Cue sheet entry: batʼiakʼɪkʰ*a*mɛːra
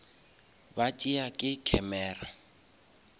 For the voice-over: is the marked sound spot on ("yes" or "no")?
no